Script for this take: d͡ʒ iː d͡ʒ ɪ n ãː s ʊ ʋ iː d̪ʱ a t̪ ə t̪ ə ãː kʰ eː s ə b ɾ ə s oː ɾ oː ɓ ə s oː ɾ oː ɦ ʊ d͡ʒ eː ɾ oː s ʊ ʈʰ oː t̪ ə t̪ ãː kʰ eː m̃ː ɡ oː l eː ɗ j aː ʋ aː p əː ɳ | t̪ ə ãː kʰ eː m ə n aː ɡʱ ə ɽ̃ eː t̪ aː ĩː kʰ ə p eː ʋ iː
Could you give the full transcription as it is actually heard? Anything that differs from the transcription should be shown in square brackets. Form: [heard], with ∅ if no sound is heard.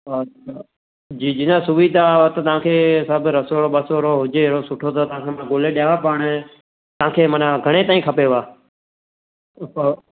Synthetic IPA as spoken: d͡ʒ iː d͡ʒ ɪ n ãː s ʊ ʋ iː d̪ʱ a t̪ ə t̪ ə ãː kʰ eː s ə b ɾ ə s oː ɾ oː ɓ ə s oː ɾ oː ɦ ʊ d͡ʒ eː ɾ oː s ʊ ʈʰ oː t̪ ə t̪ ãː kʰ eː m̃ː ɡ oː l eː ɗ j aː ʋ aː p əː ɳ | t̪ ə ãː kʰ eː m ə n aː ɡʱ ə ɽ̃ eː t̪ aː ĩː kʰ ə p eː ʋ [aː]